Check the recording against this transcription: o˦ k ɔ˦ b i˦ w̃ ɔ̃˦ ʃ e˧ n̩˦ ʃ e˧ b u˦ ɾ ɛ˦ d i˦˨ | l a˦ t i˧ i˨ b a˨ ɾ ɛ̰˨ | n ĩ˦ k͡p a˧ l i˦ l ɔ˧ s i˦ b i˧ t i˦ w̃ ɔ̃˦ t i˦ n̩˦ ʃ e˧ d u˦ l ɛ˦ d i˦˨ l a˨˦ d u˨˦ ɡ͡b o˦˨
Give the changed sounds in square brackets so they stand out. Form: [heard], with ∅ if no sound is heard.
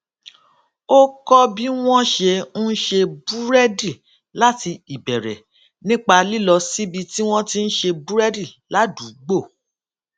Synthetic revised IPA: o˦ k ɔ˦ b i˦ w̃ ɔ̃˦ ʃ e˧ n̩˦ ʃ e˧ b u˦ ɾ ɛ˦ d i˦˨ | l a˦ t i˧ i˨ b [ɛ˨] ɾ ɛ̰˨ | n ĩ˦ k͡p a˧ l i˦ l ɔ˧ s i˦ b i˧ t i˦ w̃ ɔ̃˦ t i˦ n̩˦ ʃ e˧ [b] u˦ [ɾ] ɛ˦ d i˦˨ l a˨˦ d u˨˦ ɡ͡b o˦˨